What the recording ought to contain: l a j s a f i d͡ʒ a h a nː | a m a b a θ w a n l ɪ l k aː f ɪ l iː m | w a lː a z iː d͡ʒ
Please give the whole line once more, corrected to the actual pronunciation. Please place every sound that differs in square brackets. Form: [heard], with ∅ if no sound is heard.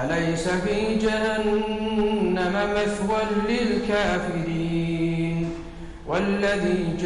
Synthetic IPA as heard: l a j s a f [iː] d͡ʒ a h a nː | a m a [m] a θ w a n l ɪ l k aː f ɪ [ɾ] iː [n] | w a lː a [ð] iː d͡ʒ